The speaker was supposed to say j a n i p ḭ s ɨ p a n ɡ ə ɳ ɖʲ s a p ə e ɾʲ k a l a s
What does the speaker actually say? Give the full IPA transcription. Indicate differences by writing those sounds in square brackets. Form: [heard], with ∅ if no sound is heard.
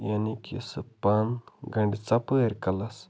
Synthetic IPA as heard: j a n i [k] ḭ s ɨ p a n ɡ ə ɳ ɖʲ [t͡s] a p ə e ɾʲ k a l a s